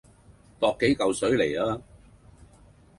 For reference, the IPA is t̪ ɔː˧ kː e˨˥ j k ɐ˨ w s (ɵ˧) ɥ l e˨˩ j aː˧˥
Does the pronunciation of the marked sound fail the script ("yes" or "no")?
yes